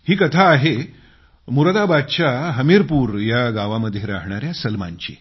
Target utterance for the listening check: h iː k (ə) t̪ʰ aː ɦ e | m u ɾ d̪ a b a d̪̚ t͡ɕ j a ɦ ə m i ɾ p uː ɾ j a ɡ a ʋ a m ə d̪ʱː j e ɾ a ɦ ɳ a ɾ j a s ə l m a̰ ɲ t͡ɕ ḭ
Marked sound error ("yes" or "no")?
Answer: no